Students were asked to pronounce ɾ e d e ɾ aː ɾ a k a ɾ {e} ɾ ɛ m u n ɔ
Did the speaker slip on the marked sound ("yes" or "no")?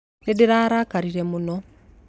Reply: yes